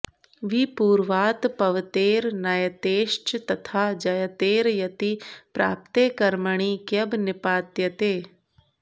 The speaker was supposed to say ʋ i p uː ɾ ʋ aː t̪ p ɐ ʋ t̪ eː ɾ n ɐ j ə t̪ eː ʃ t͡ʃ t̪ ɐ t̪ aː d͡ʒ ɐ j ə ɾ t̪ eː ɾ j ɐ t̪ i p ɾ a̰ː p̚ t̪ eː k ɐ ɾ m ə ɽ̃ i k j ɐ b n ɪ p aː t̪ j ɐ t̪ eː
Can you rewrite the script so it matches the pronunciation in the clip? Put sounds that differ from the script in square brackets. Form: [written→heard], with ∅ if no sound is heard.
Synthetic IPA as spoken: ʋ i p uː ɾ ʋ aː t̪ p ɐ ʋ t̪ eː ɾ n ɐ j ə t̪ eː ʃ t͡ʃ t̪ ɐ [t̪→t̪ʰ] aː d͡ʒ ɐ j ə [ɾ→∅] t̪ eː ɾ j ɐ t̪ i p ɾ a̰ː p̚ t̪ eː k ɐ ɾ m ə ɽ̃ i k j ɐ b n ɪ p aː t̪ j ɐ t̪ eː